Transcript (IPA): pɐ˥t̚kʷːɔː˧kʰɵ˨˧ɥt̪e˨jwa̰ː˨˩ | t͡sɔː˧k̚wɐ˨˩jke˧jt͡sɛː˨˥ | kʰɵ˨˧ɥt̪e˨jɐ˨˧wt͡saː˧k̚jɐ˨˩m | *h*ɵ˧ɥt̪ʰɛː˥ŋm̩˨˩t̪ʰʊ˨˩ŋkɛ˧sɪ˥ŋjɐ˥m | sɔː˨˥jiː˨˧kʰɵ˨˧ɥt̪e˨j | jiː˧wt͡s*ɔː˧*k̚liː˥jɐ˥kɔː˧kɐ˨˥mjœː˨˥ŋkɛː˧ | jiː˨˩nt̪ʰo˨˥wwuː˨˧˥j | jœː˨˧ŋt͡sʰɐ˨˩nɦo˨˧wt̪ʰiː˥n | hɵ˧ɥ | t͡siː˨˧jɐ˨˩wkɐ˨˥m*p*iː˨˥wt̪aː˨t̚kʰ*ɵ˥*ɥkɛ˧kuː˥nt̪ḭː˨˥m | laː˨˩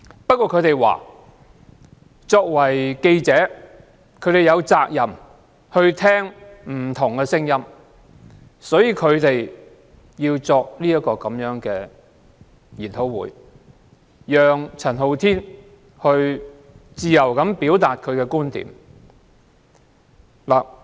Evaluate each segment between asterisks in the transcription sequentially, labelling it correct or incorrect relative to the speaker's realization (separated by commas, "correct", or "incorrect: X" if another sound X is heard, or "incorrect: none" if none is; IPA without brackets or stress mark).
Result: correct, correct, correct, incorrect: ɵ˨˧